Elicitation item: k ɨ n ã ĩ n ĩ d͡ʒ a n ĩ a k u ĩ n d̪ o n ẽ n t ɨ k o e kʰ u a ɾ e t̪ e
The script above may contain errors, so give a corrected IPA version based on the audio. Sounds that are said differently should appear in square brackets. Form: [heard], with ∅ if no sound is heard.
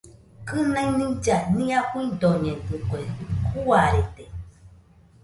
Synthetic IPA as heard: k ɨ n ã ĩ n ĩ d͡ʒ a n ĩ a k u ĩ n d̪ o [ɲ] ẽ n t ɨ k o e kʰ u a ɾ e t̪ e